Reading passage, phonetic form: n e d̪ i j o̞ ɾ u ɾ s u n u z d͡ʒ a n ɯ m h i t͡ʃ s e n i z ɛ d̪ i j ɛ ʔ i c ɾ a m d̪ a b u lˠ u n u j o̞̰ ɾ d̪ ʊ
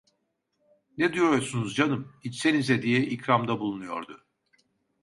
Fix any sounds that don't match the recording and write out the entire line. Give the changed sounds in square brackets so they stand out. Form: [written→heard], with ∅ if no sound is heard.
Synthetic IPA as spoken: n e d̪ i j o̞ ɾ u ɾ s u n u z d͡ʒ a n ɯ m h i t͡ʃ s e n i z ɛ d̪ i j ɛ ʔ i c ɾ a m d̪ a b u lˠ u n u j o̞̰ ɾ d̪ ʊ